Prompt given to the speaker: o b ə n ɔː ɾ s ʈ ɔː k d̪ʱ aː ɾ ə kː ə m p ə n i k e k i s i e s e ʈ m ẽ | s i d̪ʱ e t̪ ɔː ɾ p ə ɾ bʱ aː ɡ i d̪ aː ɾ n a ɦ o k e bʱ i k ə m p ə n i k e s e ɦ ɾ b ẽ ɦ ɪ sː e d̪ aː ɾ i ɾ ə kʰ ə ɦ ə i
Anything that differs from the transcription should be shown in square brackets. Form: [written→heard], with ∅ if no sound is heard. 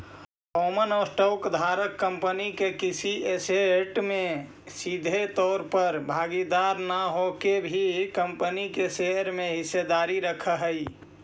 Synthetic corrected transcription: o [b→m] ə n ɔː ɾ s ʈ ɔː k d̪ʱ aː ɾ ə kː ə m p ə n i k e k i s i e s e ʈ m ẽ | s i d̪ʱ e t̪ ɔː ɾ p ə ɾ bʱ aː ɡ i d̪ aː ɾ n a ɦ o k e bʱ i k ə m p ə n i k e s e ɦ ɾ [b→m] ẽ ɦ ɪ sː e d̪ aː ɾ i ɾ ə kʰ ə ɦ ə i

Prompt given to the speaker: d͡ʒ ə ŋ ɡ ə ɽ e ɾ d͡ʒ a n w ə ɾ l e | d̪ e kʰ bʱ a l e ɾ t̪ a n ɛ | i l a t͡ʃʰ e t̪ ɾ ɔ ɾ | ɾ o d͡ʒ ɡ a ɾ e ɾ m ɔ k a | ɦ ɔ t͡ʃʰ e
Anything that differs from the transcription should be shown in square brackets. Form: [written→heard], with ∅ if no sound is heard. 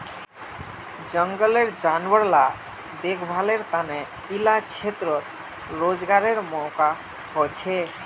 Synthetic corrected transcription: d͡ʒ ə ŋ ɡ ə [ɽ→l] e ɾ d͡ʒ a n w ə ɾ l [e→a] | d̪ e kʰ bʱ a l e ɾ t̪ a n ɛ | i l a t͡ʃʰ e t̪ ɾ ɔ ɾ | ɾ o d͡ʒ ɡ a ɾ e ɾ m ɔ k a | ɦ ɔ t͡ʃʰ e

